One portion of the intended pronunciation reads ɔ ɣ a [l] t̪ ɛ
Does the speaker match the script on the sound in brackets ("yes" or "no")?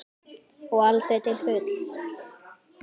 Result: yes